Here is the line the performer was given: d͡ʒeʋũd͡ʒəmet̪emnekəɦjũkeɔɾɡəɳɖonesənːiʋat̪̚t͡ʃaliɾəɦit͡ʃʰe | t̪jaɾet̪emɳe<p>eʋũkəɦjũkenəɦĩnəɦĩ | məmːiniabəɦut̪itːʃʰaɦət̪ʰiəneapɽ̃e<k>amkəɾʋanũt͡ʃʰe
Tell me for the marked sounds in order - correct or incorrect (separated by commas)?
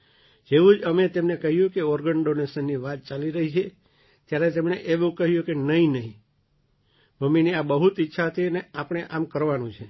incorrect, incorrect